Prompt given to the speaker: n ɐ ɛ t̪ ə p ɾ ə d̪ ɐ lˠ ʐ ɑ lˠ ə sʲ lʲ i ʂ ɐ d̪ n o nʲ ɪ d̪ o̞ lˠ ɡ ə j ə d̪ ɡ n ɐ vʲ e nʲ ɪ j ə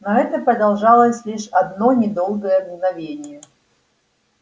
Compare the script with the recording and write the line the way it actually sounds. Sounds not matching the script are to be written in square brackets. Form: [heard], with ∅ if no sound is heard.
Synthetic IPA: n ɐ ɛ t̪ ə p ɾ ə d̪ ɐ lˠ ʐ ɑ lˠ ə sʲ lʲ i ʂ ɐ d̪ n o nʲ ɪ d̪ o̞ lˠ ɡ ə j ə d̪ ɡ n ɐ vʲ e nʲ ɪ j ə